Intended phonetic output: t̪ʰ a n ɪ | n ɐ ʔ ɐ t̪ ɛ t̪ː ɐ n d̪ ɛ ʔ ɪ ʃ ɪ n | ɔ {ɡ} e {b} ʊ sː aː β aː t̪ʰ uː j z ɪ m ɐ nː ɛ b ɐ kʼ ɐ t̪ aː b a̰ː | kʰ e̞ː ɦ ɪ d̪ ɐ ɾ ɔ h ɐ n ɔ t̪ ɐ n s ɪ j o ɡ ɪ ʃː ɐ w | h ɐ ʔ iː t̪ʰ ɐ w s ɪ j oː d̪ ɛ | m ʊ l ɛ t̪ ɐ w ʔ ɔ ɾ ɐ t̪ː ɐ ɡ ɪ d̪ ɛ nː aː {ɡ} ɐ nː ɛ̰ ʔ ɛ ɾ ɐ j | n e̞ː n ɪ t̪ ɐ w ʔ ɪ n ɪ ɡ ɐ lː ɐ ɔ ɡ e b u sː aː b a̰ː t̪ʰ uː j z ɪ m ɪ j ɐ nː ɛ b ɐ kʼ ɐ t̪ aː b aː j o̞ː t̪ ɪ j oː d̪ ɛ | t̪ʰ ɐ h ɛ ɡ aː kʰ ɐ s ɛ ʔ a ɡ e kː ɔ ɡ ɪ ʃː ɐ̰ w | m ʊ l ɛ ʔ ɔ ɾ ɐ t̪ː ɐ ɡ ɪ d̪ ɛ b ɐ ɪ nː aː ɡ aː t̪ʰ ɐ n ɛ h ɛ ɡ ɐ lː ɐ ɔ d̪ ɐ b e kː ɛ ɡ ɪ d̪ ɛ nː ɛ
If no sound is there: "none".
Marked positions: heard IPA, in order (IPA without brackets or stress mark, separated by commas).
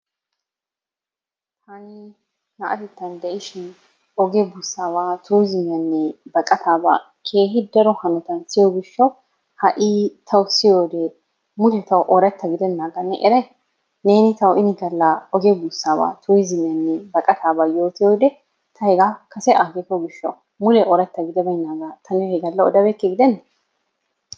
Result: ɡ, b, ɡ